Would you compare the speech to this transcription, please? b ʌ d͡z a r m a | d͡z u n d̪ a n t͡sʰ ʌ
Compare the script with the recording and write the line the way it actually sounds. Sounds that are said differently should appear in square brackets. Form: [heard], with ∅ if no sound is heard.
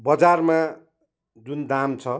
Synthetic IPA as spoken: b ʌ d͡z a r m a | d͡z u n d̪ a [m] t͡sʰ ʌ